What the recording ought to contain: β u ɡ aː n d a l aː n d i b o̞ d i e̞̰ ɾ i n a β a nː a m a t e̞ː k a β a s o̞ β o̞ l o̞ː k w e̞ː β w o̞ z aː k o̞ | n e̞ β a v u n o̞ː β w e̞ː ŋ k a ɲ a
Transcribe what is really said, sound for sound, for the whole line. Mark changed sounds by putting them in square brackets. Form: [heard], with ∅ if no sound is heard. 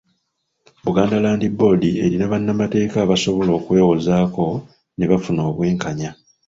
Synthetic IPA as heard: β u ɡ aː n d a l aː n d i b o̞ d i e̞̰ ɾ i n a β a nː a m a t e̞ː k a β a s o̞ β o̞ l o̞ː k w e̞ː [∅] w o̞ z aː k o̞ | n e̞ β a [f] u n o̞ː β w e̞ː ŋ k a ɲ a